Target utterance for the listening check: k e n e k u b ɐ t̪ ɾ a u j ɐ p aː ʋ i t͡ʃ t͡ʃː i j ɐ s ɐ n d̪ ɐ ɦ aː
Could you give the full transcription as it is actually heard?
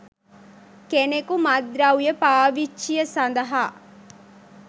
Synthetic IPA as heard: k e n e k u m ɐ d̪ ɾ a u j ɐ p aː ʋ i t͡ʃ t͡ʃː i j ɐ s ɐ n d̪ ɐ ɦ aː